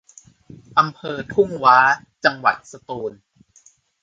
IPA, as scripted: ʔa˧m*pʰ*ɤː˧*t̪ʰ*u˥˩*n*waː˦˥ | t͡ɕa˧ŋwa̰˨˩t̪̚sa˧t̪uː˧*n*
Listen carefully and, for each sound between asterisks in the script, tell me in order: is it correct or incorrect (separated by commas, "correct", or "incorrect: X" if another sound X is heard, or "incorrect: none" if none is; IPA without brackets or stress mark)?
correct, correct, incorrect: ŋ, correct